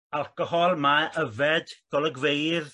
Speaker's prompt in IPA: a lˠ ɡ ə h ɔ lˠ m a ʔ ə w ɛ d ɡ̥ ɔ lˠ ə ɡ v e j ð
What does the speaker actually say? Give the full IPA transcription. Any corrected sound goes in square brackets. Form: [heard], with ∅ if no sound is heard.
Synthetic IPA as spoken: a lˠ [k] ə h ɔ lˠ m a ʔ ə [v] ɛ d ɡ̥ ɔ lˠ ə ɡ v e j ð